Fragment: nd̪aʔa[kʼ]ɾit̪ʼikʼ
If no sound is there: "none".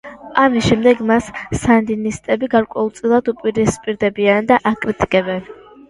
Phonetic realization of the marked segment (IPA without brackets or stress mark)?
kʼ